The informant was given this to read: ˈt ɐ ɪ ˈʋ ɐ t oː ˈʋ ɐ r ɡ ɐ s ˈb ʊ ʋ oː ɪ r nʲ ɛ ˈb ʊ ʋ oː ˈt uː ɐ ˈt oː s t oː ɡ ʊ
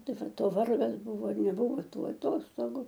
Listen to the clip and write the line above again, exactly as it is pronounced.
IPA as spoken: ˈt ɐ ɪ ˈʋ ɐ t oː ˈʋ ɐ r ɡ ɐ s ˈb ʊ ʋ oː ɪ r nʲ ɛ ˈb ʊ ʋ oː ˈt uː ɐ ˈt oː s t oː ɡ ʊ